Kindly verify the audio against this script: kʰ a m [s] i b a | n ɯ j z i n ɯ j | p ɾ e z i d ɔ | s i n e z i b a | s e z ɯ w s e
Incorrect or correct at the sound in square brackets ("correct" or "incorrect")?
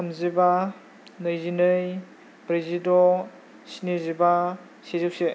incorrect